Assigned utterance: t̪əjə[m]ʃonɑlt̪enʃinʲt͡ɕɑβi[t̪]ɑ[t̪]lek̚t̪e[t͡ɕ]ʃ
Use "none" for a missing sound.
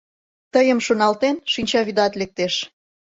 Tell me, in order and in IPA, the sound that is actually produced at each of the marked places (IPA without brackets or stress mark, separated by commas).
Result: m, d̪, t̪, none